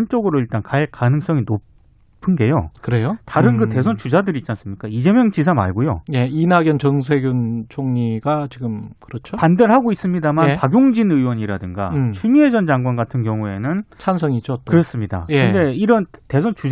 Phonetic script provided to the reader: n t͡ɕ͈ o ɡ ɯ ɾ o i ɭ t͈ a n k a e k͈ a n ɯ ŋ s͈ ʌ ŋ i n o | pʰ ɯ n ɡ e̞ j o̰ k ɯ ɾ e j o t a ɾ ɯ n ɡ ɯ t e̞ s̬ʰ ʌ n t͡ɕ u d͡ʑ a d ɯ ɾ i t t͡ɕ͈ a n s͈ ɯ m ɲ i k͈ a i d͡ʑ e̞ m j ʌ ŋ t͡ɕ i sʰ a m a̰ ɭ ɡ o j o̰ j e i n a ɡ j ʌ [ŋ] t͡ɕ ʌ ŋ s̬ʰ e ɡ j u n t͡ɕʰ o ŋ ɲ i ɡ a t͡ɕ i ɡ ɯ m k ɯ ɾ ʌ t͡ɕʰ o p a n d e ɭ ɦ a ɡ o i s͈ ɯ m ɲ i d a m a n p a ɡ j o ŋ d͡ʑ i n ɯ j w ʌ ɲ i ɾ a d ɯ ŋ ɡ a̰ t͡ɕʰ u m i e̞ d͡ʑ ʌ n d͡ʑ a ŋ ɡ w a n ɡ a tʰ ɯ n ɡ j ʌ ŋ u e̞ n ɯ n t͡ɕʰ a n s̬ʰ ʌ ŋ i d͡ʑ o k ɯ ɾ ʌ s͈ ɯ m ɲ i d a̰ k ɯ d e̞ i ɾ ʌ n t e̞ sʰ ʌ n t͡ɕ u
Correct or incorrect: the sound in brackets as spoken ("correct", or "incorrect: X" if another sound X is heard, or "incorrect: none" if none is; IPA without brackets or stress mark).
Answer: incorrect: n